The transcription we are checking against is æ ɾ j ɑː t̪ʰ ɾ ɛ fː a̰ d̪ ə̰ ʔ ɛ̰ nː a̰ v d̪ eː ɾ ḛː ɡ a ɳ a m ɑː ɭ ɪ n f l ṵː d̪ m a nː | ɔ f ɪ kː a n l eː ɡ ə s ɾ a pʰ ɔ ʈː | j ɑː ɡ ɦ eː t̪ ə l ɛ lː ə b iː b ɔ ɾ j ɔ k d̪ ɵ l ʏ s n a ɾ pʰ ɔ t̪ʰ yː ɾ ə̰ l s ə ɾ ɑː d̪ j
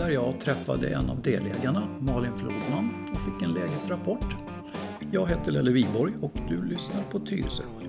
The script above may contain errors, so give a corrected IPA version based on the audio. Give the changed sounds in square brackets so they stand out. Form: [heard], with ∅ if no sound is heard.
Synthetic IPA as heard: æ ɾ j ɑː t̪ʰ ɾ ɛ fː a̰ d̪ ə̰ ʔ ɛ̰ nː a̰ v d̪ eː [l] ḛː ɡ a ɳ a m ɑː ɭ ɪ n f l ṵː d̪ m a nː | ɔ f ɪ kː [ɛ] n l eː ɡ ə s ɾ a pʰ ɔ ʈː | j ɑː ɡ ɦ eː t̪ ə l ɛ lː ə [v] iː b ɔ ɾ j ɔ k d̪ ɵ l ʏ s n a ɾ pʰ ɔ t̪ʰ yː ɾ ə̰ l s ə ɾ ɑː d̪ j